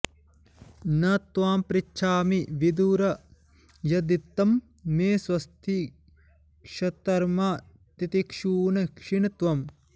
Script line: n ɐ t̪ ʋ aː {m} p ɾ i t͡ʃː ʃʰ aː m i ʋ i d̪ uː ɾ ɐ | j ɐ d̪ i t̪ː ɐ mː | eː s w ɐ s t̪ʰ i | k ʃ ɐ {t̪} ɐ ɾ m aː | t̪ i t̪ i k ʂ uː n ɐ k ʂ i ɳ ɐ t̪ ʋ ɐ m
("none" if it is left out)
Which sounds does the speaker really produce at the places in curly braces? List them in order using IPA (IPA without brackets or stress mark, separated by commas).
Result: m, t̪